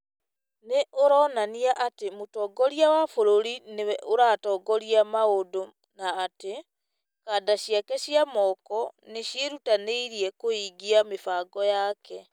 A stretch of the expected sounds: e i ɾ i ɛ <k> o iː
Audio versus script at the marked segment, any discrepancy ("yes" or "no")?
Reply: no